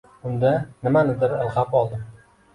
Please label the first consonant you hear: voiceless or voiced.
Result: voiced